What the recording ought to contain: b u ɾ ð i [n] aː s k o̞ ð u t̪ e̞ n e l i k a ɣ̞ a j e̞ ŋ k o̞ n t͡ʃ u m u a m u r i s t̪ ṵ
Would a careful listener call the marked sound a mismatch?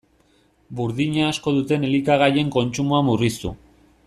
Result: yes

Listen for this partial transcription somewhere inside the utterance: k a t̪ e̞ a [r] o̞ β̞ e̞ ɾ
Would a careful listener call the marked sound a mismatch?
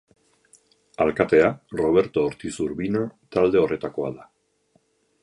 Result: no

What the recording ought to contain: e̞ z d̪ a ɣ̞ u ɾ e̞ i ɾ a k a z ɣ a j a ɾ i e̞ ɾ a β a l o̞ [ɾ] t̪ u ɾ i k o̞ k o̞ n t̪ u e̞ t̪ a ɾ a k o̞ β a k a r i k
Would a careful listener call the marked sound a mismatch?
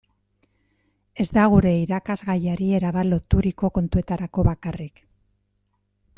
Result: yes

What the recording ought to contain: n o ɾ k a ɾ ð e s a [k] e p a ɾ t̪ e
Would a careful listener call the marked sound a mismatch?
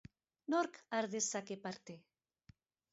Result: no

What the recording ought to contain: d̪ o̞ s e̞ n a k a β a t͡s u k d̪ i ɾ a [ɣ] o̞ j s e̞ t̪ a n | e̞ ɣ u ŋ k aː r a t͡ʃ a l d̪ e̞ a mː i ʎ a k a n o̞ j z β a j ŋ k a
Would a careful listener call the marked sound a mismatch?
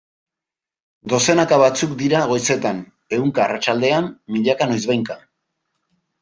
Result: no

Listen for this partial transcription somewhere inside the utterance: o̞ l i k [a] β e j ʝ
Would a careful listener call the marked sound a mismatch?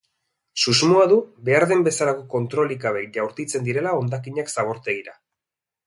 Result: no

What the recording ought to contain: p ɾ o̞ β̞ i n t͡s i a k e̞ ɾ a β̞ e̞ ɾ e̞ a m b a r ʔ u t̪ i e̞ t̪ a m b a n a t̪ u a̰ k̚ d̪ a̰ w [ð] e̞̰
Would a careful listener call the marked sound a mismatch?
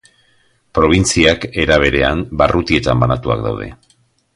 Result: no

